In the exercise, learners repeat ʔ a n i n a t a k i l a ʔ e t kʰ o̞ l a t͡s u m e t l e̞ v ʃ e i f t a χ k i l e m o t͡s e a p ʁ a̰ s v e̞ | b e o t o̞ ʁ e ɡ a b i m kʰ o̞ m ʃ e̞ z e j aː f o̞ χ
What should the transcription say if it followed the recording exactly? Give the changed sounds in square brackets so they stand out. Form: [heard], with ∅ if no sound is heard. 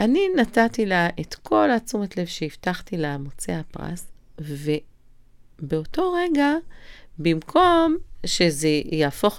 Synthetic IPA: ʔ a n i n a t a [t] i l a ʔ e t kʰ o̞ l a t͡s u m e t l e̞ v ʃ e i f t a χ [t] i l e m o t͡s e a p ʁ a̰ s v e̞ | b e o t o̞ ʁ e ɡ a b i m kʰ o̞ m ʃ e̞ z e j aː f o̞ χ